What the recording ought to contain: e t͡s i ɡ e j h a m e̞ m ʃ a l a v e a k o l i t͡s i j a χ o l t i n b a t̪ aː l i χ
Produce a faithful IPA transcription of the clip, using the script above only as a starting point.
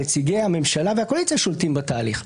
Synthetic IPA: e t͡s i ɡ e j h a m e̞ m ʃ a l a v e a k o l i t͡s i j a ʃ o l t i m b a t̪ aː l i χ